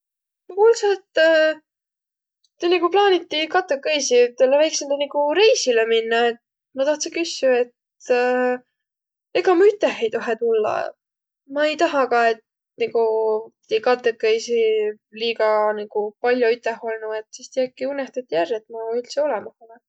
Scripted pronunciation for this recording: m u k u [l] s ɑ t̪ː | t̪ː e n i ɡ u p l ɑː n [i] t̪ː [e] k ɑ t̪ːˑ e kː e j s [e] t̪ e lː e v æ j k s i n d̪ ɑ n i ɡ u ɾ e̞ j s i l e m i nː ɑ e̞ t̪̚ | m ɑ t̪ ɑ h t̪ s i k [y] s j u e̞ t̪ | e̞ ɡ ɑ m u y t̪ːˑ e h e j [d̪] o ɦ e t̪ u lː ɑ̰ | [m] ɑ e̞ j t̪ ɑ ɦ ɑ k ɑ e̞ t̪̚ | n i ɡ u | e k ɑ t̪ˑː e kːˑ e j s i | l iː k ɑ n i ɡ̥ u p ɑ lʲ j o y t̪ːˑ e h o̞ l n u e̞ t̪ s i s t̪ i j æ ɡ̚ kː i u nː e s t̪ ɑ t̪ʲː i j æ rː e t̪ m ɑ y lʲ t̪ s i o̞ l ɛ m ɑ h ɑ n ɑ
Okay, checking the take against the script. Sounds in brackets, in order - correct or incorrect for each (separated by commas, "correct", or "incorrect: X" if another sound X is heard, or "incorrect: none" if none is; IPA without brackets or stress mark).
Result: correct, correct, incorrect: i, incorrect: i, correct, incorrect: t̪, correct